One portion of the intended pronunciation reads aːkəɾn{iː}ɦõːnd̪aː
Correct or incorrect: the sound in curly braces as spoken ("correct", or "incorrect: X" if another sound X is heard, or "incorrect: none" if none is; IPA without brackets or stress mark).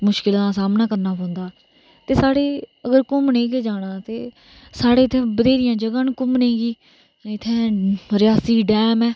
incorrect: aː